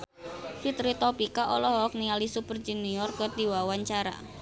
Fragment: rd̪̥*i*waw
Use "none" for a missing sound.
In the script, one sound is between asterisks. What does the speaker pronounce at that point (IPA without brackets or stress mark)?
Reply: i